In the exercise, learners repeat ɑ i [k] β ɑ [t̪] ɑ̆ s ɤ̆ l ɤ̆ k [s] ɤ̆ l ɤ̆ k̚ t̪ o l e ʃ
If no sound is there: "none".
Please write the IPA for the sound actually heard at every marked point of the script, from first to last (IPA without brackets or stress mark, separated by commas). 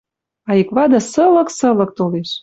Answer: k, d̪, s